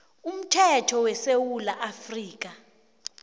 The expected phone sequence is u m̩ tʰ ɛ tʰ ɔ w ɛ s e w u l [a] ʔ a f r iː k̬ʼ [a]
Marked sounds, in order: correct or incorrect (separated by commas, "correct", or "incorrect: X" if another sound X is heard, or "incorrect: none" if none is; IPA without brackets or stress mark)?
correct, correct